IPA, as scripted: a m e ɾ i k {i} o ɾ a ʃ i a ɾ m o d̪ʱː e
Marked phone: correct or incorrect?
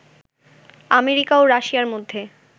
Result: incorrect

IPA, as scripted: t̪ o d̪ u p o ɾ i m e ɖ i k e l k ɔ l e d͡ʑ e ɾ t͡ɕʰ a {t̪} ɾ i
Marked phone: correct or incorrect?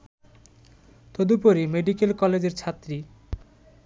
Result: correct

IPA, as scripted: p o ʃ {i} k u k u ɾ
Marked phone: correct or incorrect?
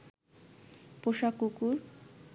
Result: incorrect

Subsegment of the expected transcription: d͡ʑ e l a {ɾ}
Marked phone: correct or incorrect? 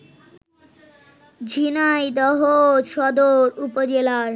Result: correct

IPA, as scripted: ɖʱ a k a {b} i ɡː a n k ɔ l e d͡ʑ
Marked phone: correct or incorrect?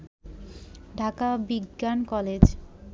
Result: correct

